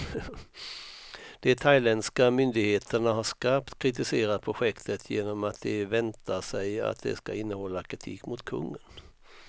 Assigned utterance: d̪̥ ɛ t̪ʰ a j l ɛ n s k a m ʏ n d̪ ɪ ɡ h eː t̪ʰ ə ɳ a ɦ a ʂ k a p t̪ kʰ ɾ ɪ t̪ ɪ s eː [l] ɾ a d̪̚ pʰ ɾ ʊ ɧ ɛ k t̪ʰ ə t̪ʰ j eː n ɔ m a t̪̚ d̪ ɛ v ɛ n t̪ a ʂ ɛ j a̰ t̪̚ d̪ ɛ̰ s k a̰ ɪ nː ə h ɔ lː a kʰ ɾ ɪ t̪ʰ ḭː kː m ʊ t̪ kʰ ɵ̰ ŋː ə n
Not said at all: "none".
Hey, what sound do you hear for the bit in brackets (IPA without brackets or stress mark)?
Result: none